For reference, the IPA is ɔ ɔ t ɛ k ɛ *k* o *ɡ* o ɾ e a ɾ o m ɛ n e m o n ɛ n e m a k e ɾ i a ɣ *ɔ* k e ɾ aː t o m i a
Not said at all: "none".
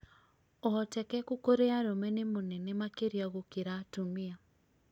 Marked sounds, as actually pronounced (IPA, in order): k, k, o

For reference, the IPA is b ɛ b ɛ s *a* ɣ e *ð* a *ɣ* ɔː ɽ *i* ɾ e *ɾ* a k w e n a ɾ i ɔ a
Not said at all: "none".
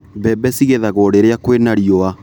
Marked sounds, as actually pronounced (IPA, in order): i, ð, ɣ, e, none

